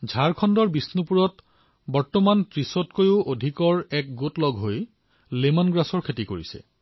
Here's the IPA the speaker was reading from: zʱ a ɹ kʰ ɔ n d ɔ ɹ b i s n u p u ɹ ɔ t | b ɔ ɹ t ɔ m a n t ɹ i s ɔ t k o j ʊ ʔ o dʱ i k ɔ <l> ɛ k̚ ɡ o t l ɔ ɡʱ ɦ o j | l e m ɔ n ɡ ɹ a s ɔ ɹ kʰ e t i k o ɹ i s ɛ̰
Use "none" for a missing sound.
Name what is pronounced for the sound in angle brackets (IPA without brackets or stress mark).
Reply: ɹ